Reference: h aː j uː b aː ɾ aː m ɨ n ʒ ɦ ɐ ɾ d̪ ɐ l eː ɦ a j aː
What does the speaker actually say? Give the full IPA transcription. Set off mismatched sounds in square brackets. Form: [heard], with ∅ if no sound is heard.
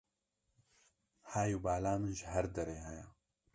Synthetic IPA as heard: h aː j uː b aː [l] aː m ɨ n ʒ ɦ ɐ ɾ d̪ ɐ [ɾ] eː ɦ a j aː